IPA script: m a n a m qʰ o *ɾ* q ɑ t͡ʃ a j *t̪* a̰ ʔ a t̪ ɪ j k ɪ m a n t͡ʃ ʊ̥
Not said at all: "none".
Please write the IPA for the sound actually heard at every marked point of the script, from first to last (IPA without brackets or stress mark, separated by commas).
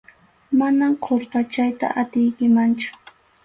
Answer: ɾ, t̪